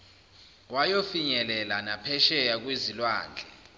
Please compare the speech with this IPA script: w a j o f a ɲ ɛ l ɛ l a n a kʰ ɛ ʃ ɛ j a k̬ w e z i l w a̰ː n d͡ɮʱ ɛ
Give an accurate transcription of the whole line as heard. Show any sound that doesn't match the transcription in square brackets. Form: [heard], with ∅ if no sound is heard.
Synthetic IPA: w a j o f [i] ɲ ɛ l ɛ l a n a [pʰ] ɛ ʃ ɛ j a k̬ w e z i l w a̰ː n d͡ɮʱ ɛ